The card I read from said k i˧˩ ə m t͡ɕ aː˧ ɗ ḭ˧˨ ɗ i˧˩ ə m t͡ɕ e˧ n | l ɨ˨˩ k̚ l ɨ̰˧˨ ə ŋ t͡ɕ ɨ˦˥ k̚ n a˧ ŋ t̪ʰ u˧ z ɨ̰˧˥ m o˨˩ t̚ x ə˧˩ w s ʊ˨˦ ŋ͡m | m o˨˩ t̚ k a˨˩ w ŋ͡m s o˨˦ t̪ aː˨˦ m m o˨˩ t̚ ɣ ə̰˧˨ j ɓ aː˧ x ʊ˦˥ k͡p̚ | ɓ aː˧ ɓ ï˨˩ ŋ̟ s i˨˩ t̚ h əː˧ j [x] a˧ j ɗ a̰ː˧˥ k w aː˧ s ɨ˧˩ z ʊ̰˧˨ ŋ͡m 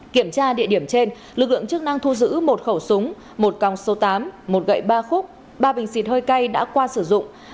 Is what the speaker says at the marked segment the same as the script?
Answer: no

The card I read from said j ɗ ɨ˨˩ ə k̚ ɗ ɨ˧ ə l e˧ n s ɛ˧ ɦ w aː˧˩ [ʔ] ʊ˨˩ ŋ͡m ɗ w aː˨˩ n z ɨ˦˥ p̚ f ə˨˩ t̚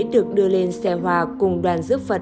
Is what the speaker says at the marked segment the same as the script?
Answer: no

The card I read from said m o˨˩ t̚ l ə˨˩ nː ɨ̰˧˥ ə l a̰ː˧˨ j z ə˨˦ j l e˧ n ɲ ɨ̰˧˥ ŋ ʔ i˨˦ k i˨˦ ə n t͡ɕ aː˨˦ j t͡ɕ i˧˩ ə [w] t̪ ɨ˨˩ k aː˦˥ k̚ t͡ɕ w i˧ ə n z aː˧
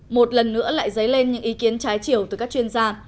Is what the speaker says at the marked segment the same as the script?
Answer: yes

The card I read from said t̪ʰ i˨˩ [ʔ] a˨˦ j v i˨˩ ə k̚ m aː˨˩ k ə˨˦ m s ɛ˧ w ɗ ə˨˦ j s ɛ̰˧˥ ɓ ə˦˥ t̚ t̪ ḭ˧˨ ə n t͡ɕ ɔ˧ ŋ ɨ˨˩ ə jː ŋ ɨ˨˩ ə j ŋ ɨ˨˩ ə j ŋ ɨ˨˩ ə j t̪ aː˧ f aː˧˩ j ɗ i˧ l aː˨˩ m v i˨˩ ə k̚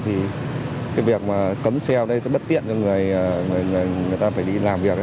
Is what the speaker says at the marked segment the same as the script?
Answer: no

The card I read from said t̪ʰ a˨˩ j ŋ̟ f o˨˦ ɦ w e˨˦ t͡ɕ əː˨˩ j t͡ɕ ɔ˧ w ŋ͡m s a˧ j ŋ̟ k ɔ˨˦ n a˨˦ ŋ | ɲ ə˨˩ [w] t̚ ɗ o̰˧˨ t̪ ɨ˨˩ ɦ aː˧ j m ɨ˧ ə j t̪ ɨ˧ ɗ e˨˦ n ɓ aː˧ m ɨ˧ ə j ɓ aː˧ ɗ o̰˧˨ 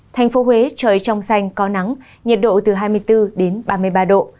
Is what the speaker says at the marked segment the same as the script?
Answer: no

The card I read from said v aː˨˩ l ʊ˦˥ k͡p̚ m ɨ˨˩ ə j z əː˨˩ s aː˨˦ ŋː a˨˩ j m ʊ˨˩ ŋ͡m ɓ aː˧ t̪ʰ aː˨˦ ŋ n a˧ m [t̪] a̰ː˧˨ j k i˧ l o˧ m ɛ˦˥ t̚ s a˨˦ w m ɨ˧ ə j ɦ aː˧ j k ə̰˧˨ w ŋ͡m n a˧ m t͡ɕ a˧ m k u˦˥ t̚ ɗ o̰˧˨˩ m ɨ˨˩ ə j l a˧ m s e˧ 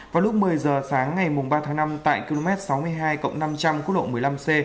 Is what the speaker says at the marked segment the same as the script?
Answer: yes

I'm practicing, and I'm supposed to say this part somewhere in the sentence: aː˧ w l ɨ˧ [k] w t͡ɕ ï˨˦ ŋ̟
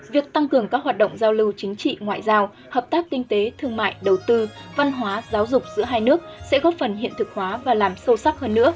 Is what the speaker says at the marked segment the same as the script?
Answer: no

